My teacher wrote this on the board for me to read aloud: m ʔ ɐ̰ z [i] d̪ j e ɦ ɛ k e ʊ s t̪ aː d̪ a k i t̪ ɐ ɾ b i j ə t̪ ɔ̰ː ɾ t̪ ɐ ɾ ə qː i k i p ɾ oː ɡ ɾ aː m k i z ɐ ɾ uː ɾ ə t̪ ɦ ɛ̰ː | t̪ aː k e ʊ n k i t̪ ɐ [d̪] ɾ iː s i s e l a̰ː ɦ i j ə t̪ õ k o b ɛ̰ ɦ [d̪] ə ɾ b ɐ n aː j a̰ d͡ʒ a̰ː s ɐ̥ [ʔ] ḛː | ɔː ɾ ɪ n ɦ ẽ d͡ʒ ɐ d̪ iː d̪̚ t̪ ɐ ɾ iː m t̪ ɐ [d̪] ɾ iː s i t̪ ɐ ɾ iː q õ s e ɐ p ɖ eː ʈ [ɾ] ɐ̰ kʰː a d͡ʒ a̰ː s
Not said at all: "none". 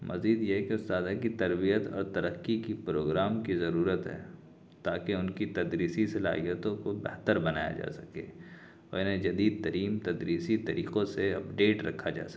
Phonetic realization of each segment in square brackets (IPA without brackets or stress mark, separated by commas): iː, d̪, t̪, k, d̪, ɾ